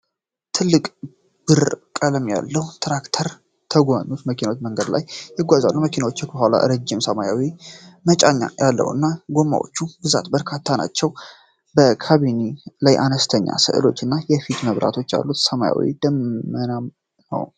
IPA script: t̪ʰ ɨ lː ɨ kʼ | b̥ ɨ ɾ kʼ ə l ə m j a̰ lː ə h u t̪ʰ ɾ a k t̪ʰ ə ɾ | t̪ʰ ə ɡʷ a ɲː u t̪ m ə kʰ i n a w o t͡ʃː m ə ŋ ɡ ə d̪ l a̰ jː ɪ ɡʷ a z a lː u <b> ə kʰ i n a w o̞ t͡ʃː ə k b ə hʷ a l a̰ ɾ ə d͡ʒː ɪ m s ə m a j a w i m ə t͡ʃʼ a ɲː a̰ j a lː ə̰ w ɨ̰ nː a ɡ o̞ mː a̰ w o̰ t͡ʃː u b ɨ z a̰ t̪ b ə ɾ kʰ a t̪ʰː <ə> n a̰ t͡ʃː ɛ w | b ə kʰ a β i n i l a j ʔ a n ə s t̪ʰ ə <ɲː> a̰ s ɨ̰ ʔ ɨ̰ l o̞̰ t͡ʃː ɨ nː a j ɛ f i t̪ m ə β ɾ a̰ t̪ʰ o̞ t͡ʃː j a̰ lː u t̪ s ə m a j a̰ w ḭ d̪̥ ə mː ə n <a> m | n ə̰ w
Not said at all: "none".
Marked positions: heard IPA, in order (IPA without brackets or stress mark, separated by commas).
m, a, ɲː, a